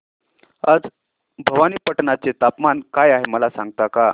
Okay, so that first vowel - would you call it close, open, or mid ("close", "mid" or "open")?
open